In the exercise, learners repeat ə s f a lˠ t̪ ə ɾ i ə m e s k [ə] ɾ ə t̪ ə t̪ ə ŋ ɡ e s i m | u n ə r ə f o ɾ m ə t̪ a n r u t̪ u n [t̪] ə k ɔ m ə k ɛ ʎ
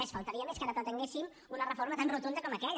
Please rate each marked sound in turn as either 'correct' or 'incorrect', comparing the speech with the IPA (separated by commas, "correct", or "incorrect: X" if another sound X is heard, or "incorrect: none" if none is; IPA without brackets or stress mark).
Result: incorrect: a, incorrect: d̪